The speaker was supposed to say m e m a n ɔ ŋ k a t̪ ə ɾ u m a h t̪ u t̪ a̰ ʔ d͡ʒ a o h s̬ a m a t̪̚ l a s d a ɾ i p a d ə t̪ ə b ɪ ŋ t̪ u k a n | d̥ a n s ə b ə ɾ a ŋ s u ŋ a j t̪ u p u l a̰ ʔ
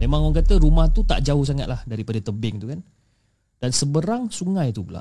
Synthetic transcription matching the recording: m e m a ŋ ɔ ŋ k a t̪ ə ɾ u m a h t̪ u t̪ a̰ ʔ d͡ʒ a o h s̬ a ŋ a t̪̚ l a h d a ɾ i p a d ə t̪ ə b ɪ ŋ t̪ u k a n | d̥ a n s ə b ə ɾ a ŋ s u ŋ a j t̪ u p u l a̰ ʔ